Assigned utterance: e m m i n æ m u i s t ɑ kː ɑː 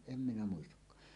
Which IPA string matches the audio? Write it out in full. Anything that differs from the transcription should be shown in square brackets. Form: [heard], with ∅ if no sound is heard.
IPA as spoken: e m m i n æ m u i s t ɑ kː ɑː